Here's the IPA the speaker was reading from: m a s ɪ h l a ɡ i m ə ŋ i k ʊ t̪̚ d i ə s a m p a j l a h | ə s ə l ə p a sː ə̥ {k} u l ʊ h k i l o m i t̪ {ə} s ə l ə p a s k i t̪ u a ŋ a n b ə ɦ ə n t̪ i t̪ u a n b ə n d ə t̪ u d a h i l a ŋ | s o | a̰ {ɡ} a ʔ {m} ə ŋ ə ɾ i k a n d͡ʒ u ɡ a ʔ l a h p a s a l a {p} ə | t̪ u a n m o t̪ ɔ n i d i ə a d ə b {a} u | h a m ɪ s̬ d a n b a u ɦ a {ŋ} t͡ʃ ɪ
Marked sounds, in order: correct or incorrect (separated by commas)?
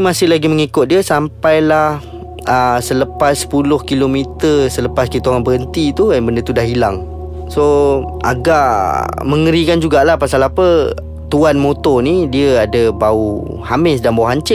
incorrect, correct, correct, correct, correct, correct, incorrect